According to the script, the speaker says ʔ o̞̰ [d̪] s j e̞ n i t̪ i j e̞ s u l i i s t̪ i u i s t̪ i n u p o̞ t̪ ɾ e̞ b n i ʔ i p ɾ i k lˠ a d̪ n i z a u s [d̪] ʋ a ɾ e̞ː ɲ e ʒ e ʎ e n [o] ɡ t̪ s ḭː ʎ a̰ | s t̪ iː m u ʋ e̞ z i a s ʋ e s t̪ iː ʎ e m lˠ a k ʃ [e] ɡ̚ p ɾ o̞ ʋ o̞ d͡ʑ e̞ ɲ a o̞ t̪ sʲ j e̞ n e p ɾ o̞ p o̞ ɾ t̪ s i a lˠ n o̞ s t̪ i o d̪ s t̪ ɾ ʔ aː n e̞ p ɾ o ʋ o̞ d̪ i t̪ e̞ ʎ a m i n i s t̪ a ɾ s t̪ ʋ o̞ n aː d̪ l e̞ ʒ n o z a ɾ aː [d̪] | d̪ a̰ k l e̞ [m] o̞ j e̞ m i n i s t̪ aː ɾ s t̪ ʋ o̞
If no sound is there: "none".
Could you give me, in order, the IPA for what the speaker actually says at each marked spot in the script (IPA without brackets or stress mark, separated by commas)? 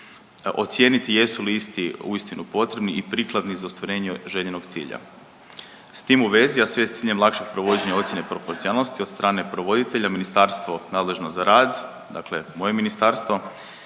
t̪, t̪, o, e, d̪, m